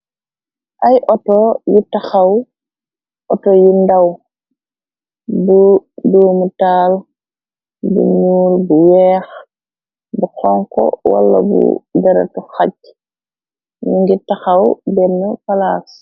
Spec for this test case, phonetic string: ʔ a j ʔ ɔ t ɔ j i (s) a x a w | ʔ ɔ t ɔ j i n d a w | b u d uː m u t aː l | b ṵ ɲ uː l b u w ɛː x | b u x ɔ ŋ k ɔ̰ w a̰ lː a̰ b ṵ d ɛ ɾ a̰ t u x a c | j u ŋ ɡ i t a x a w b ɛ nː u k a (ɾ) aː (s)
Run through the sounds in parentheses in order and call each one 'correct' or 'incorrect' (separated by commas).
incorrect, incorrect, correct